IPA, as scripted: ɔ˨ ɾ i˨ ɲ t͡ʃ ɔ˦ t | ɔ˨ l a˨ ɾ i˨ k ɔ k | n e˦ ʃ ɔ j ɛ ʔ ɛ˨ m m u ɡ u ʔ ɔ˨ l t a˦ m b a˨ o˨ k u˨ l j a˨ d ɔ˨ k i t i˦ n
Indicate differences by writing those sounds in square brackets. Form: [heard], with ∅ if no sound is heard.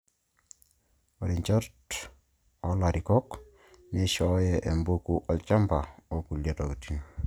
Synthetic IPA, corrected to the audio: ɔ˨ ɾ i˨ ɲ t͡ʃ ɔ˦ t | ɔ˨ l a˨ ɾ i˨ k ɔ k | n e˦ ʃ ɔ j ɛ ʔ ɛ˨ m [b] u [k] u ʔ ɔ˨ l [t͡ʃ] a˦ m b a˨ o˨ k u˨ l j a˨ [t] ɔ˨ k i t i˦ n